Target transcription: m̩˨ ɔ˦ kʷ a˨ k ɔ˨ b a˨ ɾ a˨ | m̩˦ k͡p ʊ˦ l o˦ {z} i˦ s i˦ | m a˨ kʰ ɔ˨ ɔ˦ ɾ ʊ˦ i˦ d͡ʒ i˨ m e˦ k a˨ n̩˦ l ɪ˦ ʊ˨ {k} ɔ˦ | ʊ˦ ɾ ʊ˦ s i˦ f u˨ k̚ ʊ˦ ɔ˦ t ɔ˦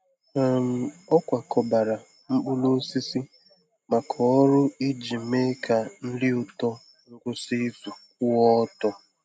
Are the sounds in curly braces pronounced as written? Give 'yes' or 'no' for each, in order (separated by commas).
no, no